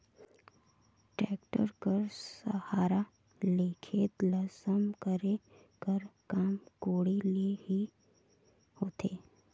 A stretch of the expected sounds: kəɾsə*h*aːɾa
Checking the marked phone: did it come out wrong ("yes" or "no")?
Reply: no